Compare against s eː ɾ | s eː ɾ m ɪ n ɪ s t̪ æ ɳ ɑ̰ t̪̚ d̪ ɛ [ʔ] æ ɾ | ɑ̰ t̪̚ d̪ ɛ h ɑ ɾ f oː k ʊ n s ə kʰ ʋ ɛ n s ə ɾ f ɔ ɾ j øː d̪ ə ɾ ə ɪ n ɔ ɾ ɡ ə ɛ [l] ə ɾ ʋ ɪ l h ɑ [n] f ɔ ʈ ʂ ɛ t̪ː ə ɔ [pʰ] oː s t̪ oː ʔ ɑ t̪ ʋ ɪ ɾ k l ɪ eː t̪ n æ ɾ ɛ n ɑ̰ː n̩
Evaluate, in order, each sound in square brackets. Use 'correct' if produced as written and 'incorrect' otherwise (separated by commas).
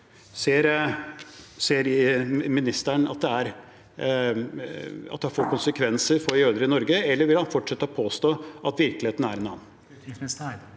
incorrect, incorrect, correct, correct